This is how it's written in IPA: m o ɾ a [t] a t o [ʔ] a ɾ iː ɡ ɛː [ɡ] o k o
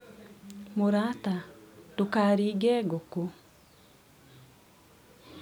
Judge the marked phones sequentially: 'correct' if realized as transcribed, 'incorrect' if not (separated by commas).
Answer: correct, incorrect, correct